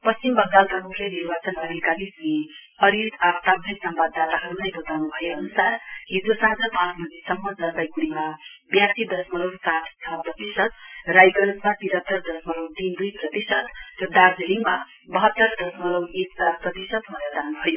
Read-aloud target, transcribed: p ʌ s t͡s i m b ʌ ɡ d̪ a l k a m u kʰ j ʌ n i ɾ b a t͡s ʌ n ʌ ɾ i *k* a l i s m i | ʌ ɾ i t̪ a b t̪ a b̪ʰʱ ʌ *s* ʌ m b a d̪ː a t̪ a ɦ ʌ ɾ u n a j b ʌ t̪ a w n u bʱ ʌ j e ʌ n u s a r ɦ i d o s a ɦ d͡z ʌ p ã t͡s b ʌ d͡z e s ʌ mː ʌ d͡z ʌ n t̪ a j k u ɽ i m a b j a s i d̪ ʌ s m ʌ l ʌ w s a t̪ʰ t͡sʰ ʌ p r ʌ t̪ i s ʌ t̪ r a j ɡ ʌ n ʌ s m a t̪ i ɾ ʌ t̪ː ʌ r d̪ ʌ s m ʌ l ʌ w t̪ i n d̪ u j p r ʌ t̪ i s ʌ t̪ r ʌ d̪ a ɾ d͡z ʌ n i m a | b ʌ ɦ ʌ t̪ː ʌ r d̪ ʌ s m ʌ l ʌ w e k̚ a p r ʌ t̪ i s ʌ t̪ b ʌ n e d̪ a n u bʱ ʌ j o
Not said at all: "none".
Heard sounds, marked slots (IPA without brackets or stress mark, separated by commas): k, s